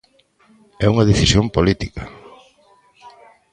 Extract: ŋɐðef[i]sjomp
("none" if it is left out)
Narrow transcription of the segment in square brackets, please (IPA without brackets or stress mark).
i